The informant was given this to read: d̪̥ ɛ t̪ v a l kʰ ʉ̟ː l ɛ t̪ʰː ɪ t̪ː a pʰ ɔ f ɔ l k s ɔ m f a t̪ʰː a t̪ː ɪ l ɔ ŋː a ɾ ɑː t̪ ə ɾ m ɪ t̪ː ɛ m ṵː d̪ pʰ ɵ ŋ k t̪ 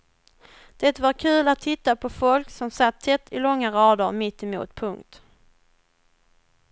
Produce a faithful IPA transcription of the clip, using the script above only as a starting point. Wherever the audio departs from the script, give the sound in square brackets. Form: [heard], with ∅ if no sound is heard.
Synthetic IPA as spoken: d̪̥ ɛ t̪ v a [ɾ] kʰ ʉ̟ː l [a] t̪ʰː ɪ t̪ː a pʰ ɔ f ɔ l k s ɔ m [s] a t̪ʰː [ɛ] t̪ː ɪ l ɔ ŋː a ɾ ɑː [d̪] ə ɾ m ɪ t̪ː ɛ m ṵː [t̪] pʰ ɵ ŋ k t̪